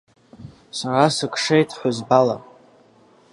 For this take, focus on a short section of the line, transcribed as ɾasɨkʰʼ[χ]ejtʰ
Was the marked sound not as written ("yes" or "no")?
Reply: yes